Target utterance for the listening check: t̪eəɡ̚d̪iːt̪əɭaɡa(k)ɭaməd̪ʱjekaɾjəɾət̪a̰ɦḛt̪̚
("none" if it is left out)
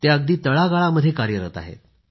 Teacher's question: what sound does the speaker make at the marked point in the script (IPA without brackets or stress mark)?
none